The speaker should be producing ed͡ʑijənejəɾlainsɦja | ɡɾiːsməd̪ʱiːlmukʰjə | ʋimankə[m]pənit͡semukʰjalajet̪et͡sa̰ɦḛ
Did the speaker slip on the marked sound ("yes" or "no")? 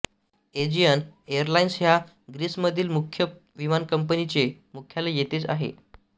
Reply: no